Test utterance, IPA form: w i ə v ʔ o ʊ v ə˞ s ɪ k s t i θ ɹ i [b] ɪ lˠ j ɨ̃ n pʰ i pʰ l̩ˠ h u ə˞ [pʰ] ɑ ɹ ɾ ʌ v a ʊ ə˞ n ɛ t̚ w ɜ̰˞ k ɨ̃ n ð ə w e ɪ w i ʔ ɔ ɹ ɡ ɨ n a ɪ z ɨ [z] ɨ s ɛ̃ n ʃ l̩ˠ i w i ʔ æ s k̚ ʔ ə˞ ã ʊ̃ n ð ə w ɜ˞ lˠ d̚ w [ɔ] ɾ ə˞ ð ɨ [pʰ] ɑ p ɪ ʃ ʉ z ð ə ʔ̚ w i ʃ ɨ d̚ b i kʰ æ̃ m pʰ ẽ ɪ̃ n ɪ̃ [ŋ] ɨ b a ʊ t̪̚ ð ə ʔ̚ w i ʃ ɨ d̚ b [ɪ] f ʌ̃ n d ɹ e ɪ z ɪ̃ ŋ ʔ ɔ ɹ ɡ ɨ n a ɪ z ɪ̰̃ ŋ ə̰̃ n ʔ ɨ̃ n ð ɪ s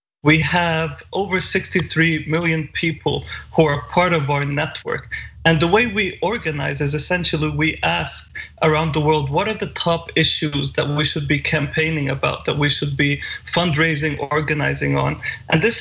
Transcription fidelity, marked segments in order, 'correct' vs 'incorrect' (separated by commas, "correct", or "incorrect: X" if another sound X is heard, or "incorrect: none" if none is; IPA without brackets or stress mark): incorrect: m, correct, correct, incorrect: ʌ, incorrect: tʰ, correct, incorrect: i